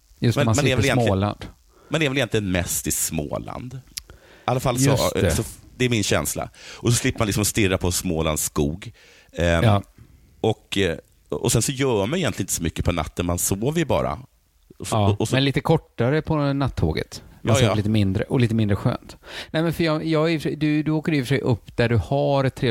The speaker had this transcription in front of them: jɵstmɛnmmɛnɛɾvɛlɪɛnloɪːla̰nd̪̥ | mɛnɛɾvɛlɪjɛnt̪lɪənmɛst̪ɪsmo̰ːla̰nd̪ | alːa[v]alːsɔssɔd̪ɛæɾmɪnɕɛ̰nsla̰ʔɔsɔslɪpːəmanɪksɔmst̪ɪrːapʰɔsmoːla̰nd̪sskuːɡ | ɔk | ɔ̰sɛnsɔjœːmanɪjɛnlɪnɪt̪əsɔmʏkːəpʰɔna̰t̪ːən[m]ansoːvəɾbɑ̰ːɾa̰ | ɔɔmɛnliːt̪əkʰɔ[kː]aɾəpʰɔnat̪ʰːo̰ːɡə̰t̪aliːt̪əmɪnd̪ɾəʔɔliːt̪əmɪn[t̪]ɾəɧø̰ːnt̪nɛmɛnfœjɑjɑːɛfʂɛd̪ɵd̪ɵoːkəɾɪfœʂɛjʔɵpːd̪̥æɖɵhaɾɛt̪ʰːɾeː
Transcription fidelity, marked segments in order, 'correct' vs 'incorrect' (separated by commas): incorrect, correct, incorrect, incorrect